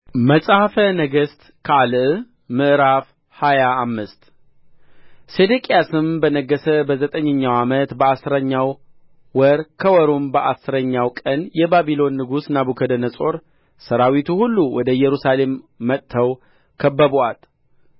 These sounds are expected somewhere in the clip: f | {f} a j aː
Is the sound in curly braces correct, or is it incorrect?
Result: incorrect